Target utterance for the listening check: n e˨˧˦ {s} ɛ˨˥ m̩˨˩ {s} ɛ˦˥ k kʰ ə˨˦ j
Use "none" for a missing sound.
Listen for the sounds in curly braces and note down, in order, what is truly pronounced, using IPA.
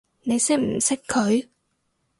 s, s

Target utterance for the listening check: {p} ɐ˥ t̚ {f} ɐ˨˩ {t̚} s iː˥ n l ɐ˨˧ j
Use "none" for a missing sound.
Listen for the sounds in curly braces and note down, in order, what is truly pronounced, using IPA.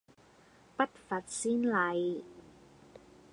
p, f, t̚

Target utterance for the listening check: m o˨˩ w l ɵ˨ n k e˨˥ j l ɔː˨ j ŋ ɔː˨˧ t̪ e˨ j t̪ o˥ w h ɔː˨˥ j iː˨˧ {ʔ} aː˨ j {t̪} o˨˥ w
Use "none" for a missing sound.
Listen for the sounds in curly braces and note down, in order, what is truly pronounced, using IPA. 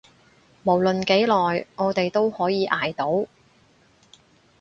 ʔ, t̪

